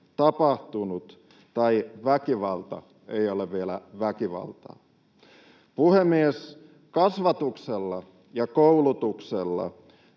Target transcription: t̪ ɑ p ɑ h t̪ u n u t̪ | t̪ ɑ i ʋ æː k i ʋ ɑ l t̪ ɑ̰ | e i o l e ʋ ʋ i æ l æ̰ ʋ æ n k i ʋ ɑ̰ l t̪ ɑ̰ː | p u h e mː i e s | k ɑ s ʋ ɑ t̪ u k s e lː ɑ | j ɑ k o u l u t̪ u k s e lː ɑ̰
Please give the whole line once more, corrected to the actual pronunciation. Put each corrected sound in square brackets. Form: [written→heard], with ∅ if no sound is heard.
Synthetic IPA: t̪ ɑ p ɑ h t̪ u n u t̪ | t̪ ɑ i ʋ [æː→æ] k i ʋ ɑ l t̪ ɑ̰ | e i o l e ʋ ʋ i [æ→e] l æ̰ ʋ æ [n→∅] k i ʋ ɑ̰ l t̪ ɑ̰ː | p u h e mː i e s | k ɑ s ʋ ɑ t̪ u k s e lː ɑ | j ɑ k o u l u t̪ u k s e lː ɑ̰